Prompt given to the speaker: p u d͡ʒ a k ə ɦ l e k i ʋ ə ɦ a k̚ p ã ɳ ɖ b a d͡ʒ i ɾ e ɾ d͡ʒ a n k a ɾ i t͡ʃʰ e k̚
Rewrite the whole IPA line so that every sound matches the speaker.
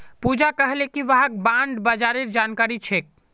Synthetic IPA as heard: p u d͡ʒ a k ə ɦ l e k i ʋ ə ɦ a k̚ b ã ɳ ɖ b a d͡ʒ a ɾ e ɾ d͡ʒ a n k a ɾ i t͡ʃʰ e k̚